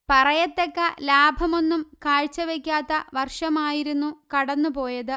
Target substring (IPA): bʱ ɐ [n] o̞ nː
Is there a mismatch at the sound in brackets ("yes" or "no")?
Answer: yes